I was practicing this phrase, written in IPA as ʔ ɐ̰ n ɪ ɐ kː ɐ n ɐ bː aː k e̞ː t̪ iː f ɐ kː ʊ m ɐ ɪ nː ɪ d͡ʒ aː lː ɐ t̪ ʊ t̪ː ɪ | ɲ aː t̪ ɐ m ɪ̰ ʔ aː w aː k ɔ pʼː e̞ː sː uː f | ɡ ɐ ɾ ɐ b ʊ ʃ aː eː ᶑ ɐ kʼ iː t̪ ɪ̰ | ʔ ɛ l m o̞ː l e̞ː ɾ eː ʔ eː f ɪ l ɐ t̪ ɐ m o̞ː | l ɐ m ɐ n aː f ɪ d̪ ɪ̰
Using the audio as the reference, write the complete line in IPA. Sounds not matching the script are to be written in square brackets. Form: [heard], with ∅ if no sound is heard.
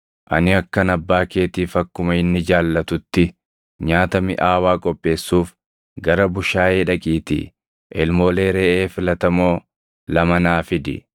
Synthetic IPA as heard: ʔ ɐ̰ n ɪ ɐ kː ɐ n ɐ bː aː k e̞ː t̪ iː f ɐ kː ʊ m ɐ ɪ nː ɪ d͡ʒ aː lː ɐ t̪ ʊ t̪ː ɪ | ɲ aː t̪ ɐ m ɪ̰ ʔ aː w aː [kʼ] ɔ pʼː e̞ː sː uː f | ɡ ɐ ɾ ɐ b ʊ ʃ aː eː ᶑ ɐ kʼ iː t̪ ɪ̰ | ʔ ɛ l m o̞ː l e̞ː ɾ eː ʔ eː f ɪ l ɐ t̪ ɐ m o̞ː | l ɐ m ɐ n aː f ɪ d̪ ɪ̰